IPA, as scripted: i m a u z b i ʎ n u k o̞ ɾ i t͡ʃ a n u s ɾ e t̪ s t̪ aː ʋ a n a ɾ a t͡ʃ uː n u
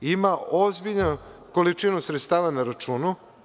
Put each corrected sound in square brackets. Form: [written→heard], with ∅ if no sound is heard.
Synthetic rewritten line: i m a [u→o] z b i ʎ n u k o̞ [ɾ→l] i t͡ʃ [a→i] n u s ɾ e t̪ s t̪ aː ʋ a n a ɾ a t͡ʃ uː n u